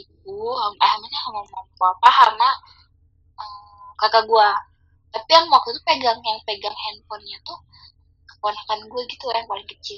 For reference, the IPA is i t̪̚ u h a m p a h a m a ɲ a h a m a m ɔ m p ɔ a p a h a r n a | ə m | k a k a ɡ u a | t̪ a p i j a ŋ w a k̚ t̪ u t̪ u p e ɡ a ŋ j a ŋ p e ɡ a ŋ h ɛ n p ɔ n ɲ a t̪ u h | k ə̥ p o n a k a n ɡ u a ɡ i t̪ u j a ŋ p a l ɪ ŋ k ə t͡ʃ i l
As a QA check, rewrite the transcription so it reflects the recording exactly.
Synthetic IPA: i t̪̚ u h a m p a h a m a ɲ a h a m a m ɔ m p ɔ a p a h a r n a | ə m | k a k a ɡ u a | t̪ a p i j a ŋ w a k̚ t̪ u t̪ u p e ɡ a ŋ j a ŋ p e ɡ a ŋ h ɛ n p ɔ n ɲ a t̪ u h | k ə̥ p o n a k a n ɡ u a ɡ i t̪ u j a ŋ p a l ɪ ŋ k ə t͡ʃ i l